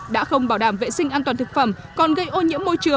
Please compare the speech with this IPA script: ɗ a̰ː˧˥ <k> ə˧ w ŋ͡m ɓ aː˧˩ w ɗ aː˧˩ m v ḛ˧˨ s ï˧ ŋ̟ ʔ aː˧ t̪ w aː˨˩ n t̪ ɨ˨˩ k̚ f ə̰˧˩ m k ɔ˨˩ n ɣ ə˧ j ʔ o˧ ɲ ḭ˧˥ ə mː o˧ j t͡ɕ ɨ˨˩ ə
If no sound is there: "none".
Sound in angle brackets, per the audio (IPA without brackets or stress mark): x